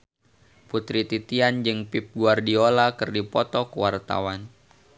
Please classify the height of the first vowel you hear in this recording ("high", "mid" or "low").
high